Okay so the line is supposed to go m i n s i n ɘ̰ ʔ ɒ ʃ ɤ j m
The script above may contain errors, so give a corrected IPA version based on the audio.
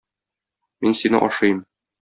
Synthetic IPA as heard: m i n s i n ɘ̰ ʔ ɒ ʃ ɤ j m